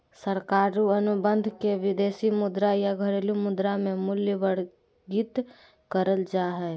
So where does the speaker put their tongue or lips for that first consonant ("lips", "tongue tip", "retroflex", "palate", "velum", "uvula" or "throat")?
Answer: tongue tip